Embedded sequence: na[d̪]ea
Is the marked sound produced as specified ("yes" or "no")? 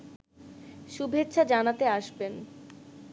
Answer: no